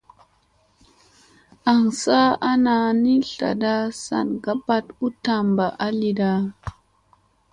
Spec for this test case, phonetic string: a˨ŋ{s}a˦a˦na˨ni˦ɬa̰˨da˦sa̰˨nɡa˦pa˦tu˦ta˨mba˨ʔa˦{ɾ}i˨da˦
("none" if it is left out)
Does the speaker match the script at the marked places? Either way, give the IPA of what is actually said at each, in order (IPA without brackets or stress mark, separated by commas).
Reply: s, l